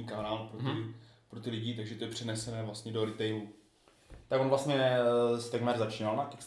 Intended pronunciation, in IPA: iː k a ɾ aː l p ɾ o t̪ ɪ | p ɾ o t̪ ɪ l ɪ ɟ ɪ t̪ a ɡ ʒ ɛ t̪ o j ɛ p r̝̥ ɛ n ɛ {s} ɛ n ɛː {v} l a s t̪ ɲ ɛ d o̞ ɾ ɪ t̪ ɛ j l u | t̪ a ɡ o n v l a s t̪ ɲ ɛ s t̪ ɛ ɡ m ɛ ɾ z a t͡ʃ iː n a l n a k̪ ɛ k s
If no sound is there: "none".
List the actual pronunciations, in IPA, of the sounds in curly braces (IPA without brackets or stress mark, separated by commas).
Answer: s, v